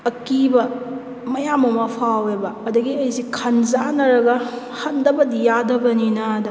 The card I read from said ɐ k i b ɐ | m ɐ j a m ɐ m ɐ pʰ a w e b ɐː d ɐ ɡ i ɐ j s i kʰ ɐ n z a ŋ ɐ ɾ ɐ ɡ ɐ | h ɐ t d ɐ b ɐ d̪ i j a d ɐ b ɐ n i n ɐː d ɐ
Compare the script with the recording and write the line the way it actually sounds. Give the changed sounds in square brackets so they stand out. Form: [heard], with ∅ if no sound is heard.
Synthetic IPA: ɐ k i b ɐ | m ɐ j a m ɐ m ɐ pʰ a w e b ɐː d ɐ ɡ i ɐ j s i kʰ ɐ n z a [n] ɐ ɾ ɐ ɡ ɐ | h ɐ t d ɐ b ɐ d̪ i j a d ɐ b ɐ n i n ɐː d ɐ